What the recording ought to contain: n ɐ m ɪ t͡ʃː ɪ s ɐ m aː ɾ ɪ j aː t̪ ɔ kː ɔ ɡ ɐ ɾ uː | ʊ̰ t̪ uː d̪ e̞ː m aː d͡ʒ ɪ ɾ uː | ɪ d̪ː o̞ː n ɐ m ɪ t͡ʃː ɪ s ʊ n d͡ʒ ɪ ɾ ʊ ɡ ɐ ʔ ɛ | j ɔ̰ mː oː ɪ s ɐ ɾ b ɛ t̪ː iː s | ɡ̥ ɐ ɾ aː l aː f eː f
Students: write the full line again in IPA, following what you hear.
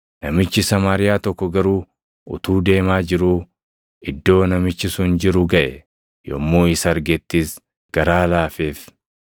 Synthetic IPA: n ɐ m ɪ t͡ʃː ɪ s ɐ m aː ɾ ɪ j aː t̪ ɔ kː ɔ ɡ ɐ ɾ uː | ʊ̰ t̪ uː d̪ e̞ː m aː d͡ʒ ɪ ɾ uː | ɪ d̪ː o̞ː n ɐ m ɪ t͡ʃː ɪ s ʊ n d͡ʒ ɪ ɾ ʊ ɡ ɐ ʔ ɛ | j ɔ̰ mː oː ɪ s ɐ ɾ ɡ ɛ t̪ː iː s | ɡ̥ ɐ ɾ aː l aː f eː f